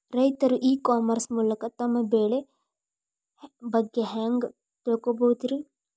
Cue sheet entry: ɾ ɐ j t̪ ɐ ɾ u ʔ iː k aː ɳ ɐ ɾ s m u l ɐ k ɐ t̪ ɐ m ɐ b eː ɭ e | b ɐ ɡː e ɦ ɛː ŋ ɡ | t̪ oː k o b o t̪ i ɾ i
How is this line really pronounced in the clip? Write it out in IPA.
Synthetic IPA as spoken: ɾ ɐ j t̪ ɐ ɾ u ʔ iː k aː m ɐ ɾ s m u l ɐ k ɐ t̪ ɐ m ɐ b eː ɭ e | b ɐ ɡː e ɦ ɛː ŋ ɡ | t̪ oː k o b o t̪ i ɾ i